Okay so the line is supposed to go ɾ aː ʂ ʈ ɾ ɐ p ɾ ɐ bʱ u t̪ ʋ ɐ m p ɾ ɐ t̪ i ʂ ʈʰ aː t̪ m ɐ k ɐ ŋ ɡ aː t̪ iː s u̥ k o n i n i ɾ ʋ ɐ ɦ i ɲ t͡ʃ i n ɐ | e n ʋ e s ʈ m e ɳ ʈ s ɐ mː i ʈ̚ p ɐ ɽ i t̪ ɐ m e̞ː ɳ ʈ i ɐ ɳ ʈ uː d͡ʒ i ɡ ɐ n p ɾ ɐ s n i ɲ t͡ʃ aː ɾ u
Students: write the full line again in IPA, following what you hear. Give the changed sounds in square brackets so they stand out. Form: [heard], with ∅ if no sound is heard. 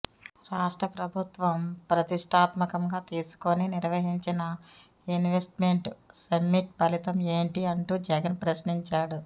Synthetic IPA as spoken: ɾ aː ʂ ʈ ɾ ɐ p ɾ ɐ bʱ u t̪ ʋ ɐ m p ɾ ɐ t̪ i ʂ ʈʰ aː t̪ m ɐ k ɐ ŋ ɡ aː t̪ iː s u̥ k o n i n i ɾ ʋ ɐ ɦ i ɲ t͡ʃ i n ɐ | [i] n ʋ e s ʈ m e ɳ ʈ s ɐ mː i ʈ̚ p ɐ [l] i t̪ ɐ m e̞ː ɳ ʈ i ɐ ɳ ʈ uː d͡ʒ [ɛ] ɡ ɐ n p ɾ ɐ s n i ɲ t͡ʃ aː [ɽ] u